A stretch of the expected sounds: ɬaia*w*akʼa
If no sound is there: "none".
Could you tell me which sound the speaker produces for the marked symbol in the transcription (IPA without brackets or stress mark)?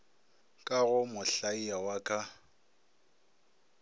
w